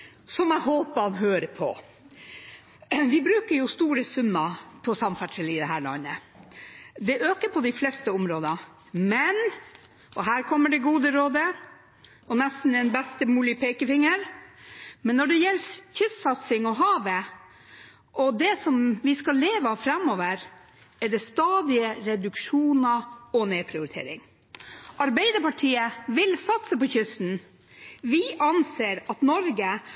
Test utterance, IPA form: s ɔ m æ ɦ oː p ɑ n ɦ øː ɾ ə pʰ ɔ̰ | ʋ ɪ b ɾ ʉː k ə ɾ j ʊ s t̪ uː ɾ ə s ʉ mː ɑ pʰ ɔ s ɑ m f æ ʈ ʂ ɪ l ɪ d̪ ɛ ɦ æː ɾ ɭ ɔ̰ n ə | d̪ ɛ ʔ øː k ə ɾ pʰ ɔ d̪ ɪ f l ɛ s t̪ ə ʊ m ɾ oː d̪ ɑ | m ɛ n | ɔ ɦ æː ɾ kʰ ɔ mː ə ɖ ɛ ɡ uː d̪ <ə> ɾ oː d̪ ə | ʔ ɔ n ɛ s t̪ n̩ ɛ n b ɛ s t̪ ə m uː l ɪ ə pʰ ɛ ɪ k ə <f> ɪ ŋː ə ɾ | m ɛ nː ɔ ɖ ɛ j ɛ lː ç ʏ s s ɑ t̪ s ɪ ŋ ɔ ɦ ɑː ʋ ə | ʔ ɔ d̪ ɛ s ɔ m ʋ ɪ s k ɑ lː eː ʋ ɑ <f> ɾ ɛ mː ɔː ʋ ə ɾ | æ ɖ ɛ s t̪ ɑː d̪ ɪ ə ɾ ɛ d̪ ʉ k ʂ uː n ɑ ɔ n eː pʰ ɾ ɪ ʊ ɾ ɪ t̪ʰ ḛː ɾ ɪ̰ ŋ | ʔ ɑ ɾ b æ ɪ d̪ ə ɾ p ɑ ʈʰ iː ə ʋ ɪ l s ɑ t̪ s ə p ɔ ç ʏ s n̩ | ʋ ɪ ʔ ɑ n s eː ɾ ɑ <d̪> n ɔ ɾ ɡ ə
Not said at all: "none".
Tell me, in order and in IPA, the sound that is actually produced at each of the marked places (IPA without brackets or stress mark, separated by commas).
ə, f, f, t̪